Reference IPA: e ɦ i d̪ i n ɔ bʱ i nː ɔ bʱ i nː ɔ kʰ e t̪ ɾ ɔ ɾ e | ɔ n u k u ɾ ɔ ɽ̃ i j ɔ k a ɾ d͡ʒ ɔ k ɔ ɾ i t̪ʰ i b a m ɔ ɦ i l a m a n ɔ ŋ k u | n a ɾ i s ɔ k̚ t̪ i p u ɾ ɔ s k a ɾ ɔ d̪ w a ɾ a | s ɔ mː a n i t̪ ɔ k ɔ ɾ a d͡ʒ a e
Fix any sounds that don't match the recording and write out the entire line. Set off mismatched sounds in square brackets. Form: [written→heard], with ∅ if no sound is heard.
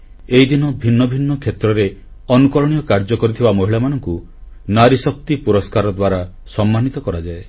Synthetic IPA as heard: e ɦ i d̪ i n ɔ bʱ i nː ɔ bʱ i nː ɔ kʰ e t̪ ɾ ɔ ɾ e | ɔ n u k [u→ɔ] ɾ ɔ ɽ̃ i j ɔ k a ɾ d͡ʒ ɔ k ɔ ɾ i t̪ʰ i b a m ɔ ɦ i [l→ɭ] a m a n ɔ ŋ k u | n a ɾ i s ɔ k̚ t̪ i p u ɾ ɔ s k a ɾ ɔ d̪ w a ɾ a | s ɔ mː a n i t̪ ɔ k ɔ ɾ a d͡ʒ a e